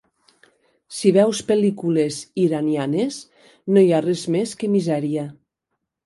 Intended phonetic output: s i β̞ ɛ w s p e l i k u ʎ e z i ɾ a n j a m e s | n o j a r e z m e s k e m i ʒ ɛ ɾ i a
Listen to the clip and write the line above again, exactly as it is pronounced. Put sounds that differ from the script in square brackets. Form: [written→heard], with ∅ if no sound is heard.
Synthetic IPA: s i β̞ ɛ w s p e l i k u [ʎ→l] e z i ɾ a n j a [m→n] e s | n o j a r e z m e s k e m i [ʒ→z] ɛ ɾ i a